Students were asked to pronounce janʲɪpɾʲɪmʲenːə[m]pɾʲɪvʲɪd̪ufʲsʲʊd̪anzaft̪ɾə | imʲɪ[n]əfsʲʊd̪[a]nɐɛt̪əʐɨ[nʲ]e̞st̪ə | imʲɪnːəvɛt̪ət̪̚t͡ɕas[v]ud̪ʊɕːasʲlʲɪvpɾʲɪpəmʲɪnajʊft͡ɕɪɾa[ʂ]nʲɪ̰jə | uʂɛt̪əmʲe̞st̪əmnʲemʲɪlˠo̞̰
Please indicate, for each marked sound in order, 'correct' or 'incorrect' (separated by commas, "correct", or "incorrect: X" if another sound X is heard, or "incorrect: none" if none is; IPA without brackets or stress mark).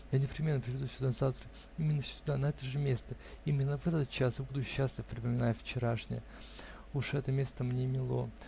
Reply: incorrect: none, incorrect: nː, correct, incorrect: mʲ, incorrect: b, correct